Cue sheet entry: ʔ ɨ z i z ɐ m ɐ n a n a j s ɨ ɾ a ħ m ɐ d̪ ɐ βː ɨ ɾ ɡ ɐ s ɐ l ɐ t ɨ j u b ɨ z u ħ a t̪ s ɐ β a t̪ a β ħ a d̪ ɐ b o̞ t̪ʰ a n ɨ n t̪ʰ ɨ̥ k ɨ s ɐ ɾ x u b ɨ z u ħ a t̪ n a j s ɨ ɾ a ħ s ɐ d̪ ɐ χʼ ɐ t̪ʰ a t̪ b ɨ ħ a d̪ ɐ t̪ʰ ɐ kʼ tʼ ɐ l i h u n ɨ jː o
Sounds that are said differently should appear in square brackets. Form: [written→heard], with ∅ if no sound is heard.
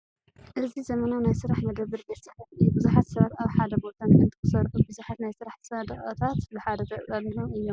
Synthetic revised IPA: ʔ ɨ z i z ɐ m ɐ n a n a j s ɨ ɾ a ħ m ɐ d̪ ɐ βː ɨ ɾ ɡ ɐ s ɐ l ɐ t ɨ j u b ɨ z u ħ a t̪ s ɐ β a t̪ a β ħ a d̪ ɐ b o̞ t̪ʰ a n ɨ n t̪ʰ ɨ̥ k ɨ s ɐ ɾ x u b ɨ z u ħ a t̪ n a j s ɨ ɾ a ħ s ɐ d̪ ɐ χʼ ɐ t̪ʰ a t̪ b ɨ ħ a d̪ ɐ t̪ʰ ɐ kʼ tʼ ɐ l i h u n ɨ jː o